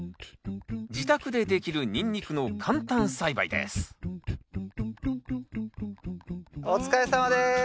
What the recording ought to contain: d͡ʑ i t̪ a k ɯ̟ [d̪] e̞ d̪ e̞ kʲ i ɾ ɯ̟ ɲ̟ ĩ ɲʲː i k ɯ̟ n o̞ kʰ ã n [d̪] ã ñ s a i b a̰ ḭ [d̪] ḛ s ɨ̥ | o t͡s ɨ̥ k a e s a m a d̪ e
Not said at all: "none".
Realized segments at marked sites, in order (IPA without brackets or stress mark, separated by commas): d̪, t̪, d̪